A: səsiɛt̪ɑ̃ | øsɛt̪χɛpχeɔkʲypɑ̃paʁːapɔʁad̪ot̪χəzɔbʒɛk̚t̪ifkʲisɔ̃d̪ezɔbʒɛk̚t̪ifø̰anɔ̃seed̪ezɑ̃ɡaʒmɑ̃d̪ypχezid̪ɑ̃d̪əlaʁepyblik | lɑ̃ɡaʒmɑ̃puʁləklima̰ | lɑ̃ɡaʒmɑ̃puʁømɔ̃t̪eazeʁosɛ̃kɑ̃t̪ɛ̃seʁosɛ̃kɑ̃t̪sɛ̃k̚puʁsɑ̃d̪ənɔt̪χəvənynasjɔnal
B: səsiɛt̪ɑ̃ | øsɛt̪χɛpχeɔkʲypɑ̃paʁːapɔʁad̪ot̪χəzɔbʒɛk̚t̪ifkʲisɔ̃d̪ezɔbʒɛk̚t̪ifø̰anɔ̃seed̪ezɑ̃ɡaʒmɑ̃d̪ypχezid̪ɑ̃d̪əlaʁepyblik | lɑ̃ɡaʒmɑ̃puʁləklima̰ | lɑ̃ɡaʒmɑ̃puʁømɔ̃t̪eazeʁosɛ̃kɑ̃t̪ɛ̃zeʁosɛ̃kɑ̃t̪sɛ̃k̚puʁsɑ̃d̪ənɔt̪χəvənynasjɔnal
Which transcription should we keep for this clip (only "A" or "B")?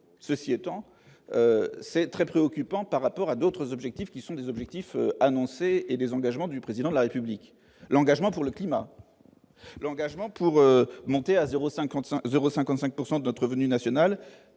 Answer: B